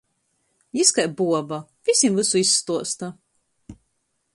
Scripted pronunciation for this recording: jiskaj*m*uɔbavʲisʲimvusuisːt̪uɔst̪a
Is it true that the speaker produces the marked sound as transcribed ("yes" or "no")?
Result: no